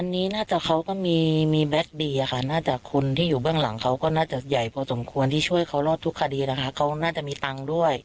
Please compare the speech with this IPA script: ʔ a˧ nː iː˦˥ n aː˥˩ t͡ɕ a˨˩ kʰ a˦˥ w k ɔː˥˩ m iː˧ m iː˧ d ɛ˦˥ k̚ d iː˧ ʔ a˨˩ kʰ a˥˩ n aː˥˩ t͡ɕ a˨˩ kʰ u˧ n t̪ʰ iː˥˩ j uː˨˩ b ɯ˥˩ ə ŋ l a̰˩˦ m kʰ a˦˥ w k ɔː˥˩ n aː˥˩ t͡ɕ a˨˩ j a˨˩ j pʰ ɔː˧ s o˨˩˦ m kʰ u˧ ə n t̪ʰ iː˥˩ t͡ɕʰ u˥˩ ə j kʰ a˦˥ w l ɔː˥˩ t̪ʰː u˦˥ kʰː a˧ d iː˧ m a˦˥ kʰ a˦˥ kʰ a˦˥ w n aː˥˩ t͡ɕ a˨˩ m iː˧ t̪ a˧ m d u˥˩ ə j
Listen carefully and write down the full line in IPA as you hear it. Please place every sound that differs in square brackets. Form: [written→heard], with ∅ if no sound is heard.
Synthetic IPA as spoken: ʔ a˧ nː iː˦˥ n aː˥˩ t͡ɕ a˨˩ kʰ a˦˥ w k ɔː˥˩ m iː˧ m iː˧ [d→b] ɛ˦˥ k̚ d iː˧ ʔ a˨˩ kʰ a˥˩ n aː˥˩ t͡ɕ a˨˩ kʰ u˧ n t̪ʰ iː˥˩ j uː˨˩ b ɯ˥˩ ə ŋ l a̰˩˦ [m→ŋ] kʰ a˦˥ w k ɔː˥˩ n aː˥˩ t͡ɕ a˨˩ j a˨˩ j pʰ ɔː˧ s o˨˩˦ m kʰ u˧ ə n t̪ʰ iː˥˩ t͡ɕʰ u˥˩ ə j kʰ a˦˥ w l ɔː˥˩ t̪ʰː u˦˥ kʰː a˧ d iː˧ [m→n] a˦˥ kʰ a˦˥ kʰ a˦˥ w n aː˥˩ t͡ɕ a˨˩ m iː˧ t̪ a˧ [m→ŋ] d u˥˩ ə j